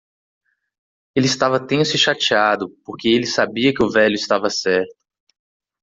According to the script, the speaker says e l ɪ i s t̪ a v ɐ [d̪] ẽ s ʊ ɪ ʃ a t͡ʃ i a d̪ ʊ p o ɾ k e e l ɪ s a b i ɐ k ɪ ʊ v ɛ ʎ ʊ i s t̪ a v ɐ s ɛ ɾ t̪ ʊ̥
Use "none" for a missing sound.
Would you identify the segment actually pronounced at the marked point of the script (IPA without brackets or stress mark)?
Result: t̪